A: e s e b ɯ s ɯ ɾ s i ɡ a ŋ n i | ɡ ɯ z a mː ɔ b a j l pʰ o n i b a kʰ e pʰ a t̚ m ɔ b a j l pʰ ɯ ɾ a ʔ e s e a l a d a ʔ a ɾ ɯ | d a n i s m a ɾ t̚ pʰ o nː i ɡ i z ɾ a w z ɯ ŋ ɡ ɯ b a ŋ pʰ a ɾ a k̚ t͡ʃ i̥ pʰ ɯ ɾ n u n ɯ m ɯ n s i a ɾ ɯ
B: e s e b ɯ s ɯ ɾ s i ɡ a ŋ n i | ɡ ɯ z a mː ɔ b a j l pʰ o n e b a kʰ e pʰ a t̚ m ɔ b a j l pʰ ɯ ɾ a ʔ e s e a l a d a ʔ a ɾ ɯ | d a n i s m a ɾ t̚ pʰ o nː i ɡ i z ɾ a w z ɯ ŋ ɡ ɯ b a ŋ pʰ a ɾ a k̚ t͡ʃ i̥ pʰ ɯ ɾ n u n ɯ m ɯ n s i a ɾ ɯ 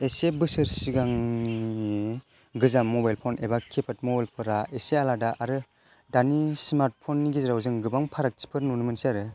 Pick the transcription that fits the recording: B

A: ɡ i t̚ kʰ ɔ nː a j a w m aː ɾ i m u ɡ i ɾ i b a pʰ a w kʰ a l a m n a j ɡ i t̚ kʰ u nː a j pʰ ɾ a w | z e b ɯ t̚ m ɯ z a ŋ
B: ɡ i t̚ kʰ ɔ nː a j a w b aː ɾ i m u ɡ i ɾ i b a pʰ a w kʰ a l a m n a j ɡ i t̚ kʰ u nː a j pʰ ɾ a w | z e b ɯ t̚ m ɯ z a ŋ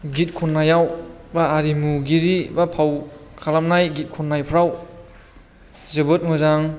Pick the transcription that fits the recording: B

